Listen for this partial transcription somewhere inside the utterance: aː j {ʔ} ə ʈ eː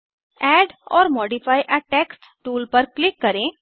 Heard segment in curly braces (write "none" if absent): ʔ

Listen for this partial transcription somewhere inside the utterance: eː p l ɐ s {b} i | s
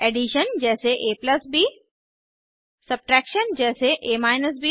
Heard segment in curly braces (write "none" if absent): b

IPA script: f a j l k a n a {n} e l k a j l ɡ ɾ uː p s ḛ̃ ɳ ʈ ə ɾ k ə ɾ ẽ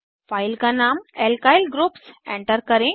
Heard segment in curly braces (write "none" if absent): m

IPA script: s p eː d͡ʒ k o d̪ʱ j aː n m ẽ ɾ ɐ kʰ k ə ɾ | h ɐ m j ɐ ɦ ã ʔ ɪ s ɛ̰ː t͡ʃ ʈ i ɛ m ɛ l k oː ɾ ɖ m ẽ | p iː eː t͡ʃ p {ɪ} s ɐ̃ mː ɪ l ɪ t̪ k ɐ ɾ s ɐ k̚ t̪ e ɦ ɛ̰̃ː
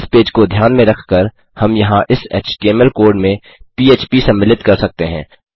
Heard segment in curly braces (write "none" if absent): i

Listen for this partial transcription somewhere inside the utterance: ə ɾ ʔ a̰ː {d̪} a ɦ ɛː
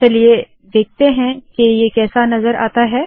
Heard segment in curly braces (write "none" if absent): t̪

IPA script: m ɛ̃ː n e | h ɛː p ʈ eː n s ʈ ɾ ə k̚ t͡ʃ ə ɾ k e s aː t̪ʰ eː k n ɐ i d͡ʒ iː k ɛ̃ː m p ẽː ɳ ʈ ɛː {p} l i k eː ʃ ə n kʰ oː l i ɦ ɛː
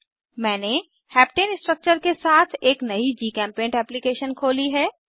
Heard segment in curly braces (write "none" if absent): p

